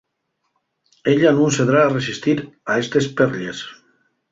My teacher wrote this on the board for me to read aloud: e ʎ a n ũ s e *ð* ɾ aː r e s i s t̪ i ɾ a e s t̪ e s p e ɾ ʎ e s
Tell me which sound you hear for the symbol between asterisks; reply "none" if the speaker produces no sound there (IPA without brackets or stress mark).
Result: ð